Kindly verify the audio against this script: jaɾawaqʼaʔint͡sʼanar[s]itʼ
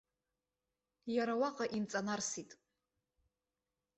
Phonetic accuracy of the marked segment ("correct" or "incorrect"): correct